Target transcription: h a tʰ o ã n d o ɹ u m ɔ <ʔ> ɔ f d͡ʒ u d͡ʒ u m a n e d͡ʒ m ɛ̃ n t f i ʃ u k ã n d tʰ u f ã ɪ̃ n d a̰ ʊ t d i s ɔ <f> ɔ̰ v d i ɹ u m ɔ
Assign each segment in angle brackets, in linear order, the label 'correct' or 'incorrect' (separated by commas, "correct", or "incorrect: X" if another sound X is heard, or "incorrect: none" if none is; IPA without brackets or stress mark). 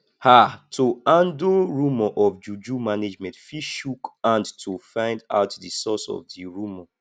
correct, incorrect: s